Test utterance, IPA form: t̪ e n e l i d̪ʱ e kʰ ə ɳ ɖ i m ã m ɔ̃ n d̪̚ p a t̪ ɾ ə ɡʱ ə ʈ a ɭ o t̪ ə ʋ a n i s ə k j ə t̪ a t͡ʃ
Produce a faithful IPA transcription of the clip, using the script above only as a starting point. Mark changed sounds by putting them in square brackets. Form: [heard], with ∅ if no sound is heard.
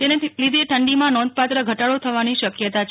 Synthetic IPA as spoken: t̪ e n e l i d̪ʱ e [ʈʰ] ə ɳ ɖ i m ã [n] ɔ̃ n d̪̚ p a t̪ ɾ ə ɡʱ ə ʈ a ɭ o [t̪ʰ] ə ʋ a n i [ʃ] ə k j ə t̪ a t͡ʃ